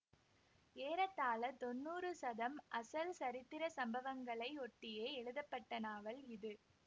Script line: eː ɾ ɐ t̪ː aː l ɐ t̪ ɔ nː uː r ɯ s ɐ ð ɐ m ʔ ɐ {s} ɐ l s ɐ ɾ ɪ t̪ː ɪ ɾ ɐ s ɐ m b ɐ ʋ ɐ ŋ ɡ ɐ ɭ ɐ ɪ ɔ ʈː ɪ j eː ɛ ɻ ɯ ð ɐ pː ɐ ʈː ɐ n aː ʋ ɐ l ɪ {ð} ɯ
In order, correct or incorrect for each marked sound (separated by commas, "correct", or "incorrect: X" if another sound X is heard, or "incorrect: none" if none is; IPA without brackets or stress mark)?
correct, correct